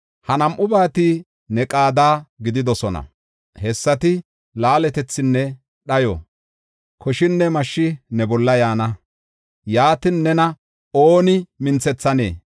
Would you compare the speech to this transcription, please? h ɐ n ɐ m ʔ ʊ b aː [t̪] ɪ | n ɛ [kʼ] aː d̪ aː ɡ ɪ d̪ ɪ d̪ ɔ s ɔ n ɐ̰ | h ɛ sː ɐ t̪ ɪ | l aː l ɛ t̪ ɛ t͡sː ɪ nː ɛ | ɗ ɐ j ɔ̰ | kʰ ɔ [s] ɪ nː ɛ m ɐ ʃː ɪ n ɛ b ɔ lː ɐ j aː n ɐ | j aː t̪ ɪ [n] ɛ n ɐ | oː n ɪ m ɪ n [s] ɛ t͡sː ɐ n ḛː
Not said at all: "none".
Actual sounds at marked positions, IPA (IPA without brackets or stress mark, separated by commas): t̪, kʼ, ʃ, nː, t͡s